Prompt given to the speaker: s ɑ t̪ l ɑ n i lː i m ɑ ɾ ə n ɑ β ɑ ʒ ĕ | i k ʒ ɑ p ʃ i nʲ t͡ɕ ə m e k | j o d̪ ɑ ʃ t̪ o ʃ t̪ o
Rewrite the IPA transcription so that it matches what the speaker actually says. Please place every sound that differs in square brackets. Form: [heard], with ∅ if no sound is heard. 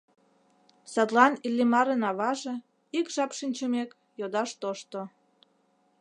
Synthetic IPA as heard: s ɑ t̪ l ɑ n i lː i m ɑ ɾ ə n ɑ β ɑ ʒ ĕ | i k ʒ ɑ p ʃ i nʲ t͡ɕ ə m e k | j o d̪ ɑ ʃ t̪ o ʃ t̪ o